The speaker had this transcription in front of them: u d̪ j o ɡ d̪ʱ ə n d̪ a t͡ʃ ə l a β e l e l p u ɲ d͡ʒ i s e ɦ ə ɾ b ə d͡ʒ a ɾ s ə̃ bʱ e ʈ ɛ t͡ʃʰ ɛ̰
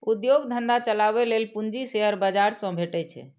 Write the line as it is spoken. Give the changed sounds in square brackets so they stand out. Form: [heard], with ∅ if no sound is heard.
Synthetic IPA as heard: u d̪ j o ɡ d̪ʱ ə n d̪ a t͡ʃ ə l a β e l e l p u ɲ d͡ʒ i s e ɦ ə ɾ b ə d͡ʒ a ɾ s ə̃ bʱ e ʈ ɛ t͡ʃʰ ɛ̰